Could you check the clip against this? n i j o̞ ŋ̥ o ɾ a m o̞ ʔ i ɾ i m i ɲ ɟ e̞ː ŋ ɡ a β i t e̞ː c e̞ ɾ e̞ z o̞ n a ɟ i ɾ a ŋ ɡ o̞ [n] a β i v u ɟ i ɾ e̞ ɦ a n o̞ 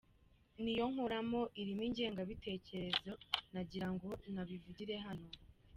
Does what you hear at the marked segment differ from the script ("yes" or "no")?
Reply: no